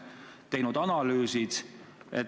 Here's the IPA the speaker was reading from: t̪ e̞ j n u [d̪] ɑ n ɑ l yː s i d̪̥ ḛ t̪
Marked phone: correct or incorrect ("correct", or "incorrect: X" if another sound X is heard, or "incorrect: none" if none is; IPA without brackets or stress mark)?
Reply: correct